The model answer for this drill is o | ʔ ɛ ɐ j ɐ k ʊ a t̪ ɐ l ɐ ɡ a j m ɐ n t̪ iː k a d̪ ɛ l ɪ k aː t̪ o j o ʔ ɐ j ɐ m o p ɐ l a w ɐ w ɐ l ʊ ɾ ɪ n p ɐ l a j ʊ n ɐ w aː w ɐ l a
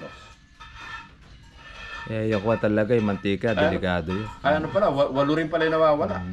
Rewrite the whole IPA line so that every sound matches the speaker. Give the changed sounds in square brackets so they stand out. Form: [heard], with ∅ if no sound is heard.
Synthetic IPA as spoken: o | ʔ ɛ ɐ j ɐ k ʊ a t̪ ɐ l ɐ ɡ a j m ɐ n t̪ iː k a d̪ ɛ l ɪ k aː [d̪] o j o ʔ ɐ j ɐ [n] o p ɐ l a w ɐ w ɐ l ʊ ɾ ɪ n p ɐ l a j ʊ n ɐ w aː w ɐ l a